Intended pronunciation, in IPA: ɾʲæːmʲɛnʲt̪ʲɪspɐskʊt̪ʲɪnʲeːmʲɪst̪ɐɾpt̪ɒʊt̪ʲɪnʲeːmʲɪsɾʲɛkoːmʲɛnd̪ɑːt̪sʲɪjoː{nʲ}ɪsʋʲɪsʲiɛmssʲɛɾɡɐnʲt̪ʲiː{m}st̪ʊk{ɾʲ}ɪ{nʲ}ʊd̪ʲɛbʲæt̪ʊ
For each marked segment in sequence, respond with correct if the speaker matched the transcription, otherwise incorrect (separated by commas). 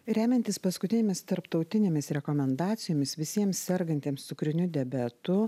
incorrect, correct, correct, correct